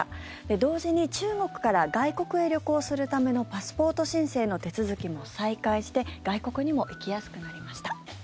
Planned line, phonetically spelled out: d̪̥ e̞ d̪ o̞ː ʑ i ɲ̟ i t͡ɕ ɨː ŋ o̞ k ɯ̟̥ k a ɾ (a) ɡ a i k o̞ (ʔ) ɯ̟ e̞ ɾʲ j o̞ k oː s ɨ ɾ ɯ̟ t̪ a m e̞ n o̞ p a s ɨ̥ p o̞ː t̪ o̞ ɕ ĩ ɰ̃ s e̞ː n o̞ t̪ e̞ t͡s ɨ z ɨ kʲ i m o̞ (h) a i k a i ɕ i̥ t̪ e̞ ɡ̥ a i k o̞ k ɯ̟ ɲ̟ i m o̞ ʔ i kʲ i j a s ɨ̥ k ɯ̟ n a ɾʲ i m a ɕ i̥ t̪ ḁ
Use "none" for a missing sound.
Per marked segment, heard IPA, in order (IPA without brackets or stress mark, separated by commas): a, k, s